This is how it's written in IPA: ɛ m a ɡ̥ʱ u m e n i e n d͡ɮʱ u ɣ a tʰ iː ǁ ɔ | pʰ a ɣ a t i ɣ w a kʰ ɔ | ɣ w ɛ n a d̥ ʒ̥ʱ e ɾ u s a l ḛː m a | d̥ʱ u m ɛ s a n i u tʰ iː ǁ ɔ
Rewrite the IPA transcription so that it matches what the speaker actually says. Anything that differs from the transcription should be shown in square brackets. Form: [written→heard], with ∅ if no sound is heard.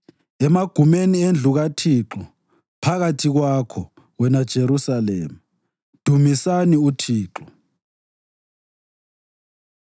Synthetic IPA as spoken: ɛ m a ɡ̥ʱ u m e n i e n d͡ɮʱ u ɣ a tʰ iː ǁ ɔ | pʰ a ɣ a [t→tʰ] i ɣ w a kʰ ɔ | ɣ w ɛ n a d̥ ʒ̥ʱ e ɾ u s a l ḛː m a | d̥ʱ u m [ɛ→i] s a n i u tʰ iː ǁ ɔ